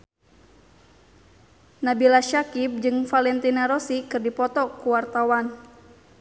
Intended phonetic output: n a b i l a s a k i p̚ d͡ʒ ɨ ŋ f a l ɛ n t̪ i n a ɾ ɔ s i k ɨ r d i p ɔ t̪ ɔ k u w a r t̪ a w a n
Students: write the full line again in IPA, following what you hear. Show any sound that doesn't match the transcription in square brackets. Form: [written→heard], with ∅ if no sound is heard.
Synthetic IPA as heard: n a b i l a [s→ʃ] a k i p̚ d͡ʒ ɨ ŋ f a l ɛ n t̪ i n a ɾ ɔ s i k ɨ r d i p ɔ t̪ ɔ k u w a r t̪ a w a n

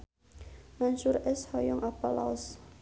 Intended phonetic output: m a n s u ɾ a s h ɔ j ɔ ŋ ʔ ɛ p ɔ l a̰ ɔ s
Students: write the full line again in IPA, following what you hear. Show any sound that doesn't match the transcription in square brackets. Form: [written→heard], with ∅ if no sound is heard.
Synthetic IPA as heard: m a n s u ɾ [a→ɛ] s h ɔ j ɔ ŋ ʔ [ɛ→a] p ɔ l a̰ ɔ s

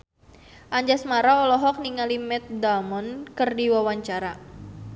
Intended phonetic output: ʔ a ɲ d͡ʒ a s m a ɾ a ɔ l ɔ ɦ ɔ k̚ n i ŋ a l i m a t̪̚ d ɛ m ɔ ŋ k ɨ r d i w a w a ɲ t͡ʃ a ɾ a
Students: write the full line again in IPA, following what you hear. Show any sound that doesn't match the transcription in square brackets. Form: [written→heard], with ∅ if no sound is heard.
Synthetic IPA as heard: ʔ a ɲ d͡ʒ a s m a ɾ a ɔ l ɔ ɦ ɔ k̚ n i ŋ a l i m [a→ɛ] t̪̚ d [ɛ→a] m ɔ [ŋ→n] k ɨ r d i w a w a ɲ t͡ʃ a ɾ a

